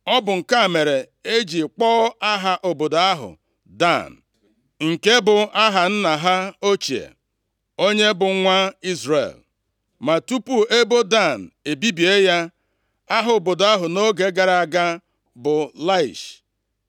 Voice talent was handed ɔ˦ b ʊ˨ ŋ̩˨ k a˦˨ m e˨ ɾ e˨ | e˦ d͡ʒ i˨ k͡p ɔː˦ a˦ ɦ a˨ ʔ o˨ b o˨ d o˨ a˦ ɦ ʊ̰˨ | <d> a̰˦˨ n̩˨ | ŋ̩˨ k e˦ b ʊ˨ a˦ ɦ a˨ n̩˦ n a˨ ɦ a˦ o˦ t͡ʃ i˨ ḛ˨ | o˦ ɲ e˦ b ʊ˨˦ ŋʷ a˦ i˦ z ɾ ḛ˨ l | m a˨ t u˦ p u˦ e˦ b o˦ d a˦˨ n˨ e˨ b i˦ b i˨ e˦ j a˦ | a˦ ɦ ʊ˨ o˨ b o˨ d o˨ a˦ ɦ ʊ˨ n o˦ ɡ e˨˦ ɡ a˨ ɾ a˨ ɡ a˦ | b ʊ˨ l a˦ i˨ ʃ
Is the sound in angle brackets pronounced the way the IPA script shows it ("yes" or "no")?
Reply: yes